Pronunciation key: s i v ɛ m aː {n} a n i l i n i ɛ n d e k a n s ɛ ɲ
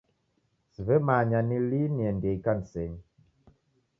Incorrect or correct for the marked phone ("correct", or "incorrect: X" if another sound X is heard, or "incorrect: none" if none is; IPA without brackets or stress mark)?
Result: incorrect: ɲ